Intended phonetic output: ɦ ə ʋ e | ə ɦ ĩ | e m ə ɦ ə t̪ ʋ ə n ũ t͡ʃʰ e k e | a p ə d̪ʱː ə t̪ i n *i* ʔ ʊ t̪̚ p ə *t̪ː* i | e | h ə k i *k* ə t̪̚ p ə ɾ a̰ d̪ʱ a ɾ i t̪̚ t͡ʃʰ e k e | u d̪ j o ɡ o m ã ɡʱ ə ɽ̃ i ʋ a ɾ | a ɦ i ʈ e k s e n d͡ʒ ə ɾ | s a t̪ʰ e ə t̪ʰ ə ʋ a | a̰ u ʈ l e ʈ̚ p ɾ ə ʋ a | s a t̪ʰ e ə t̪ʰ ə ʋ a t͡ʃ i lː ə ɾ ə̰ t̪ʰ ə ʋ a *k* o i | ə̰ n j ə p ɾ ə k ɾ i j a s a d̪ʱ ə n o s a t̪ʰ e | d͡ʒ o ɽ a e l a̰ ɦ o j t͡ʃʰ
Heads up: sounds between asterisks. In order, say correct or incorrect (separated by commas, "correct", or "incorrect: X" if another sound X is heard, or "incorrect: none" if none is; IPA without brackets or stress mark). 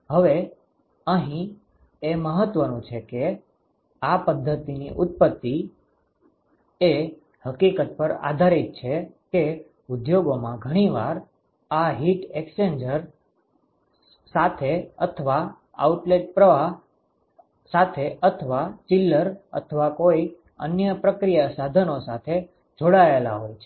correct, correct, correct, correct